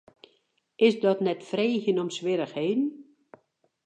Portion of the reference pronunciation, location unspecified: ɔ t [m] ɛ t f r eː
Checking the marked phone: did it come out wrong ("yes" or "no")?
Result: yes